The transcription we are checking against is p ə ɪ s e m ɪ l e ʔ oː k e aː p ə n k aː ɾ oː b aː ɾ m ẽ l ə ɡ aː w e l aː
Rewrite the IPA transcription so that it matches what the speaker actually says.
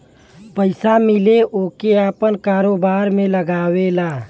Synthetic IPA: p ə ɪ s a m ɪ l e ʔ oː k e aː p ə n k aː ɾ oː b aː ɾ m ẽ l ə ɡ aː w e l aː